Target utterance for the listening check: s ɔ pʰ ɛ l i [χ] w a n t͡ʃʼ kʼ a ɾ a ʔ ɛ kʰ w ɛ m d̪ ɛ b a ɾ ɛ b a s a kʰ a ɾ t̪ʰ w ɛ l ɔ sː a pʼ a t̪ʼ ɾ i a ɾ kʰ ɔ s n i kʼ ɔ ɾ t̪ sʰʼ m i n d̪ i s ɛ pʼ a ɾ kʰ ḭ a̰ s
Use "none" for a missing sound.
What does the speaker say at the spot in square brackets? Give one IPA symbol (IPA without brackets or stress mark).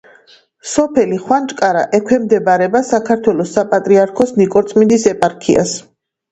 χ